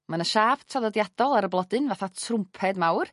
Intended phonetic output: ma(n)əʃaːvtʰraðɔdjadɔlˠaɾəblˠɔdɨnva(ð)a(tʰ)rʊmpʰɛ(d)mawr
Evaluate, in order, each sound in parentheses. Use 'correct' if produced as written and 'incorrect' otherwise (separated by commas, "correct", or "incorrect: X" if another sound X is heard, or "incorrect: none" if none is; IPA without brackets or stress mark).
correct, incorrect: θ, correct, correct